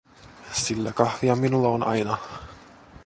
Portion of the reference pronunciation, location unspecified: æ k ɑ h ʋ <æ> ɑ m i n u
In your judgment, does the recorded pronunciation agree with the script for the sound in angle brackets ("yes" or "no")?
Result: no